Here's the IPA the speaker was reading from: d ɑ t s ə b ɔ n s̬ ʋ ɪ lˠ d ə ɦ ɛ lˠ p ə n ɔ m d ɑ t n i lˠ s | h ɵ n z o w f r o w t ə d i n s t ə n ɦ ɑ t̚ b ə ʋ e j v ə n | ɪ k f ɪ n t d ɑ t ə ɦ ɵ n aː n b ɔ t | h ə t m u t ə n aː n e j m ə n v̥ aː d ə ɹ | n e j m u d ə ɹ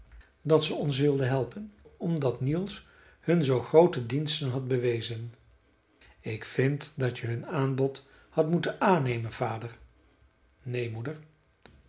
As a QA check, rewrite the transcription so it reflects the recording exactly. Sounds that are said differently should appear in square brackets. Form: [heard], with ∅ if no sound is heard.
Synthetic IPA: d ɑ t s ə [∅] ɔ n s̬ ʋ ɪ lˠ d ə ɦ ɛ lˠ p ə n ɔ m d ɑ t n i lˠ s | h ɵ n z o w [χ] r o w t ə d i n s t ə n ɦ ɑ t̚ b ə ʋ e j [z] ə n | ɪ k f ɪ n t d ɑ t ə ɦ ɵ n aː n b ɔ t | h [ɑ] t m u t ə n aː n e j m ə n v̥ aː d ə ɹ | n e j m u d ə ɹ